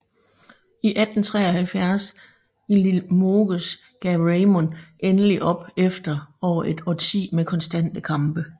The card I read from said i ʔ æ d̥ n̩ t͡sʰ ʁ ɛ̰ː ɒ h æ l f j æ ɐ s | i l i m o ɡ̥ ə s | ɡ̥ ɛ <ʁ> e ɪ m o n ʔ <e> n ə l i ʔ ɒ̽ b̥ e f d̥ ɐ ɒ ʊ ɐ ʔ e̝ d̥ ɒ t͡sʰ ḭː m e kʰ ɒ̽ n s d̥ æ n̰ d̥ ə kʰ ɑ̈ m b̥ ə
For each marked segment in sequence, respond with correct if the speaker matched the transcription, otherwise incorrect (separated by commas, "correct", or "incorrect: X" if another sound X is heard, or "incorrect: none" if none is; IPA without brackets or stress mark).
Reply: correct, correct